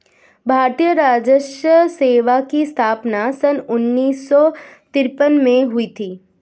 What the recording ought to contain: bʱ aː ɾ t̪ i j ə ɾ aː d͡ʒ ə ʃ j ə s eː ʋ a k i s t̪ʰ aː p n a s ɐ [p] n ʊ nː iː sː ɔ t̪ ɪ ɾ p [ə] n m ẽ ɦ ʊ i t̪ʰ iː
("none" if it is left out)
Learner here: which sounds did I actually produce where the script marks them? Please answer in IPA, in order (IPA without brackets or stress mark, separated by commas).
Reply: none, ə